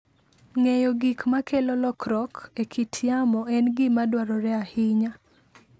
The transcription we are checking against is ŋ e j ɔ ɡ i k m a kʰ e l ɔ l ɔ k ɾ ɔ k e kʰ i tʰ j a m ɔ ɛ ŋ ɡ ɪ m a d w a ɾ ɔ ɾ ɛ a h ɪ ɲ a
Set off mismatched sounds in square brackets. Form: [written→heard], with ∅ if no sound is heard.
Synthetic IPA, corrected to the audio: ŋ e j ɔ ɡ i k m a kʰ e l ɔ l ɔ k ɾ ɔ k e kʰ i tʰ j a m ɔ ɛ [ŋ→n] ɡ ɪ m a d w a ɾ ɔ ɾ ɛ a h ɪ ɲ a